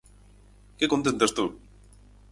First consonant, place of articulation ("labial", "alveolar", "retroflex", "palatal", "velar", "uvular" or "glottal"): velar